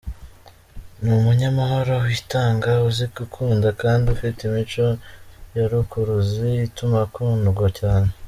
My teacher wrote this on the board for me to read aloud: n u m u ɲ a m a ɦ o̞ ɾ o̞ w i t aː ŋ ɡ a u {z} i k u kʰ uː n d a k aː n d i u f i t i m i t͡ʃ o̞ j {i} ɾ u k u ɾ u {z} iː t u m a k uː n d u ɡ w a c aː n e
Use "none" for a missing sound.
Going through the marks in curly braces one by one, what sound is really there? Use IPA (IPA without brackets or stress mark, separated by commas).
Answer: z, a, z